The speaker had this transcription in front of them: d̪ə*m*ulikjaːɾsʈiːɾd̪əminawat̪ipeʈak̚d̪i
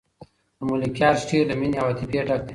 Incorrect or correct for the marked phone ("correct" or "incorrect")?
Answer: correct